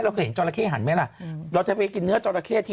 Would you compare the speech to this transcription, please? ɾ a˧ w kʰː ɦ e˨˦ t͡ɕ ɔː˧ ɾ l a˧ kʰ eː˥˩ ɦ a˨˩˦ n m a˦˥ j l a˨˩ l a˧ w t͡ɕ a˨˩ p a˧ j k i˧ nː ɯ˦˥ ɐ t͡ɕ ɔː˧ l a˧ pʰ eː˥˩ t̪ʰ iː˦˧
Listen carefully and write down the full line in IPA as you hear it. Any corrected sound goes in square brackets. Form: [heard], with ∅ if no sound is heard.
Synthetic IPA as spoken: ɾ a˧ w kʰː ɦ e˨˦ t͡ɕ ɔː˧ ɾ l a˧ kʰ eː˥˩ ɦ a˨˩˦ n m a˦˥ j l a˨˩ [ɾ] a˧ w t͡ɕ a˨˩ p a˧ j k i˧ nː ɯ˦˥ ɐ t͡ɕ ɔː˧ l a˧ [kʰ] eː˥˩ t̪ʰ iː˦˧